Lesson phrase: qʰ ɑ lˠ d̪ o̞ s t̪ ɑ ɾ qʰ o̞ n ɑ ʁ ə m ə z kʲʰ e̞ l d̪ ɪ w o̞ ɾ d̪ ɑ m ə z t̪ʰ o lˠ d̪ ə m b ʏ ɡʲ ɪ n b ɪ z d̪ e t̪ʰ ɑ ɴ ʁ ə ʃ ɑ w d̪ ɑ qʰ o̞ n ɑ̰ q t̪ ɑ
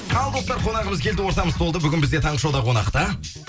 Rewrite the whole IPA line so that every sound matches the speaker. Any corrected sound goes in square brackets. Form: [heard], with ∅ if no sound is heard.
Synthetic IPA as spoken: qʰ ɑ lˠ d̪ o̞ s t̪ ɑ ɾ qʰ o̞ n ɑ ʁ ə m ə z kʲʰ e̞ l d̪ ɪ w o̞ ɾ [t̪] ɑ m ə z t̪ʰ o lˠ d̪ ə [∅] b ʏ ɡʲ ɪ n b ɪ z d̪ e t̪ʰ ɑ ɴ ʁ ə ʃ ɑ w d̪ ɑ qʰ o̞ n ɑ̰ q t̪ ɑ